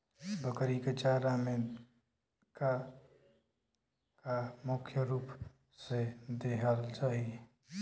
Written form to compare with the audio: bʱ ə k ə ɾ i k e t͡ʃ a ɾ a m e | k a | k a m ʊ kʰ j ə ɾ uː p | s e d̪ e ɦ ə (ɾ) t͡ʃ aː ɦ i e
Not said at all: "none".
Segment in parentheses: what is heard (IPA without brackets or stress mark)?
l